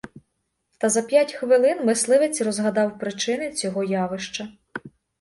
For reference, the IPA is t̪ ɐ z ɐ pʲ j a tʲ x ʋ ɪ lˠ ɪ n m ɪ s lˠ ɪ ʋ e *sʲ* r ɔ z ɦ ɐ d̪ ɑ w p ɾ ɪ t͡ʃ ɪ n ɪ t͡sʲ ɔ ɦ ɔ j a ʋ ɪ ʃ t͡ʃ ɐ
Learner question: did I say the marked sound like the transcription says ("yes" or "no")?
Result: no